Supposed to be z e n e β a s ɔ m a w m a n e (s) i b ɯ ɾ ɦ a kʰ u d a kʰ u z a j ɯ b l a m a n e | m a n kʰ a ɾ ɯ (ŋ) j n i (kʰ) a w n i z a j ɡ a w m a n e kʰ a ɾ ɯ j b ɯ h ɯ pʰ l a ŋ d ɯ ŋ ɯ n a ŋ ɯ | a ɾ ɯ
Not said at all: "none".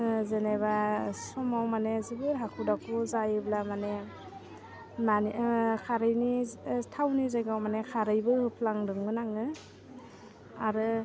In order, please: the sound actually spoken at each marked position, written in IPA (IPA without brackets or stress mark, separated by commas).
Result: z, none, tʰ